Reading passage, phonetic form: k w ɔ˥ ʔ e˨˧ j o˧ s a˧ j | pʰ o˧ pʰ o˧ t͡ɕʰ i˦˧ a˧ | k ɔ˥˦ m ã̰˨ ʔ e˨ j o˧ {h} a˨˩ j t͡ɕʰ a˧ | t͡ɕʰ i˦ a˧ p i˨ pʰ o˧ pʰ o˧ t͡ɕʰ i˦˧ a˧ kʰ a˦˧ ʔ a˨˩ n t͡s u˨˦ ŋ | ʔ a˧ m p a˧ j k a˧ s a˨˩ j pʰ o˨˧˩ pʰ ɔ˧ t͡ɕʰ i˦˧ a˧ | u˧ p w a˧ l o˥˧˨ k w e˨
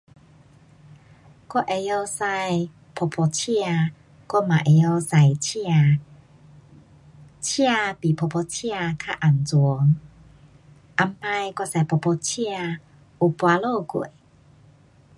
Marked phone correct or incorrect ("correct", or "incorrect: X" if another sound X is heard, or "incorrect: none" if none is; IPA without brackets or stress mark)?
incorrect: s